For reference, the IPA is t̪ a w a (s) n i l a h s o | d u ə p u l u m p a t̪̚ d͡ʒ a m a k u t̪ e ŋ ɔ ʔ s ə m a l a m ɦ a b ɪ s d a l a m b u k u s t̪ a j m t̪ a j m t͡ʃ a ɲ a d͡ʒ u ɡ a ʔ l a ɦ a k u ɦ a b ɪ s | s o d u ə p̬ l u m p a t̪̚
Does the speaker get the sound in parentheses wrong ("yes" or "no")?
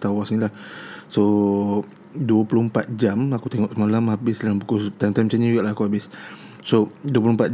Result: no